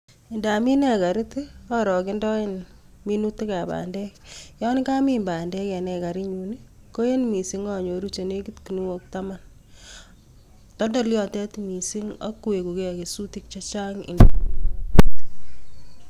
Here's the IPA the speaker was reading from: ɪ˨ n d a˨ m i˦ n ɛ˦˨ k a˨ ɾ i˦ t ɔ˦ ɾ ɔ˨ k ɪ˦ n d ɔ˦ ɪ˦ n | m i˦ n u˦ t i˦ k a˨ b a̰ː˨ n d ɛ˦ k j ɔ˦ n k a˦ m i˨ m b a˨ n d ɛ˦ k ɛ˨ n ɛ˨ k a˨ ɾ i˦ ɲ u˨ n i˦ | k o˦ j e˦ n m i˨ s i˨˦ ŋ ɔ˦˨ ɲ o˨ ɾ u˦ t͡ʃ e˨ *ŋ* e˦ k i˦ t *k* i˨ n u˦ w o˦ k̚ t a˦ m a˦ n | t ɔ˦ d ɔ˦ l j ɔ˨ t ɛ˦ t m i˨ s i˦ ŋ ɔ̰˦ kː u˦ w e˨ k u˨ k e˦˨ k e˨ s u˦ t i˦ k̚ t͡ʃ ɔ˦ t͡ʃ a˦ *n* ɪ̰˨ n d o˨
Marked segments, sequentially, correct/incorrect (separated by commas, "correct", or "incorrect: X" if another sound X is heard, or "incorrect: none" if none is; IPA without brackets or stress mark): incorrect: n, correct, incorrect: ŋ